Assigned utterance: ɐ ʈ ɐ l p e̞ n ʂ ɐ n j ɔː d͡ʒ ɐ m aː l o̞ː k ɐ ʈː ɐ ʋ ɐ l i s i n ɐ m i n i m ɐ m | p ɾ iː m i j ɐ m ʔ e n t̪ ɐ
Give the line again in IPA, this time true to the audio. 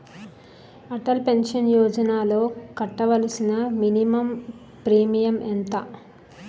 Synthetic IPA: ɐ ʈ ɐ l p e̞ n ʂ ɐ n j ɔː d͡ʒ ɐ n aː l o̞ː k ɐ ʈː ɐ ʋ ɐ l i s i n ɐ m i n i m ɐ m | p ɾ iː m i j ɐ m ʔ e n t̪ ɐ